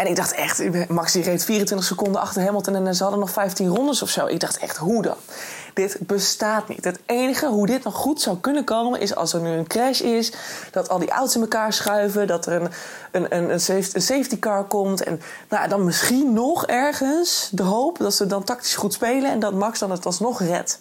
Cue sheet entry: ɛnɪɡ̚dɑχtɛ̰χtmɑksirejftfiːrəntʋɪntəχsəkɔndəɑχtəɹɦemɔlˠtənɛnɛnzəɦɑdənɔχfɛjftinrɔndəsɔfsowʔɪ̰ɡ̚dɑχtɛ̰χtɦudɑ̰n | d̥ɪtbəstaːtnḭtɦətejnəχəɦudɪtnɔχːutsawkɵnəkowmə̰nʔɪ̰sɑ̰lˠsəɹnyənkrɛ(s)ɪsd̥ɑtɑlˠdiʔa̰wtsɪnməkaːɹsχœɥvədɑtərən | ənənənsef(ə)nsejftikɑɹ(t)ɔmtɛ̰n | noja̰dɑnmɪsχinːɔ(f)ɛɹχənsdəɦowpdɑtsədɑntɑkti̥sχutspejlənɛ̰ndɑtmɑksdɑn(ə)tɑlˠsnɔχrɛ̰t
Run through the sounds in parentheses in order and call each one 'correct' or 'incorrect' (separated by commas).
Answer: incorrect, correct, incorrect, incorrect, correct